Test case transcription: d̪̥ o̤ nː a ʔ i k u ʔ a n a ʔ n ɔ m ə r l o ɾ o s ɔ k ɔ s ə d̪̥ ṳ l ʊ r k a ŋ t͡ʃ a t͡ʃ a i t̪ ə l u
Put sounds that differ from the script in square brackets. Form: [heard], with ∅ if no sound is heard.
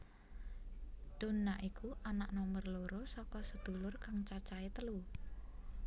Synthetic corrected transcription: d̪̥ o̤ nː a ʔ i k u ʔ a n a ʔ n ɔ m ə r l o ɾ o s ɔ k ɔ s ə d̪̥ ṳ l ʊ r k a ŋ t͡ʃ a t͡ʃ a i t̪ ə l u